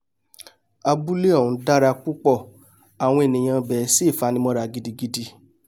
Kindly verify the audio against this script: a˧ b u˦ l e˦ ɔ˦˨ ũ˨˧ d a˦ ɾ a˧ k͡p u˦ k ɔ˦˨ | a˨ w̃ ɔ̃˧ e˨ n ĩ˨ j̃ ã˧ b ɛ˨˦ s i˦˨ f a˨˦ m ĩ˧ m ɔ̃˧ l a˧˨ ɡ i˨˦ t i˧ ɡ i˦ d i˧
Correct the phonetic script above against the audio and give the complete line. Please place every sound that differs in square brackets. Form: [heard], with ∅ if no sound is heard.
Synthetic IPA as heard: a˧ b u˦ l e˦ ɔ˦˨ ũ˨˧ d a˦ ɾ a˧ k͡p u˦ [k͡p] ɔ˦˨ | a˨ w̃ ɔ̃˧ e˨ n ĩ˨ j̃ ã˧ b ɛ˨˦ s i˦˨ f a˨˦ [n] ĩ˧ m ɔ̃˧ [ɾ] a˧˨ ɡ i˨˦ [d] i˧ ɡ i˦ d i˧